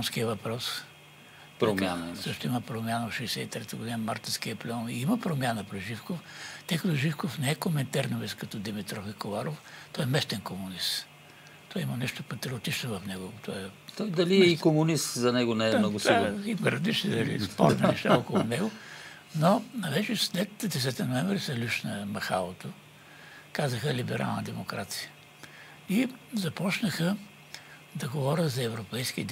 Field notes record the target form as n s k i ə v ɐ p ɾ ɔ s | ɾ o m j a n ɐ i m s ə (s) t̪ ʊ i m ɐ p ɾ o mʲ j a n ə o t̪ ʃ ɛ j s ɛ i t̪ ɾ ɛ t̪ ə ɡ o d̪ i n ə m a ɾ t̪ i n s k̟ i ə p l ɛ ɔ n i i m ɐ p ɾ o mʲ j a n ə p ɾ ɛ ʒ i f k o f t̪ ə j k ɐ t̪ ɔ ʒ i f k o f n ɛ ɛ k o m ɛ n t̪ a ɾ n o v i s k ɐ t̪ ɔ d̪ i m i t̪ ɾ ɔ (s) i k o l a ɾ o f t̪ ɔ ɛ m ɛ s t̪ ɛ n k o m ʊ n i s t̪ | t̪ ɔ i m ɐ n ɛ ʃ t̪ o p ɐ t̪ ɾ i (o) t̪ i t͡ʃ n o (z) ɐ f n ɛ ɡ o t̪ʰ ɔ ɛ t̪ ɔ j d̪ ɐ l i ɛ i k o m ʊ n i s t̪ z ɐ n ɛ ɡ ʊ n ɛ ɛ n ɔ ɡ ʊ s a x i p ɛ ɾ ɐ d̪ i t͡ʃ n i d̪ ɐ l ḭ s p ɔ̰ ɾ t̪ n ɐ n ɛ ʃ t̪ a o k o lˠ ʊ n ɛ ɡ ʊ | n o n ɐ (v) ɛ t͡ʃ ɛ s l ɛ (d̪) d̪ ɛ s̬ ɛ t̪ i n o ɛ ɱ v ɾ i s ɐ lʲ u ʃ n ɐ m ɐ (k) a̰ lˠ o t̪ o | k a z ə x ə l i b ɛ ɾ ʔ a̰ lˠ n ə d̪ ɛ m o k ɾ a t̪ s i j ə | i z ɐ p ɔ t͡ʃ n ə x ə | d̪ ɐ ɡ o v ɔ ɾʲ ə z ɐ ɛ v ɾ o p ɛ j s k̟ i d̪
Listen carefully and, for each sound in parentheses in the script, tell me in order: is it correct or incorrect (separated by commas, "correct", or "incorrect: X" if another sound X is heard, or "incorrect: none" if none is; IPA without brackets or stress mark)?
incorrect: ʃ, incorrect: f, correct, incorrect: v, correct, incorrect: t̪, incorrect: x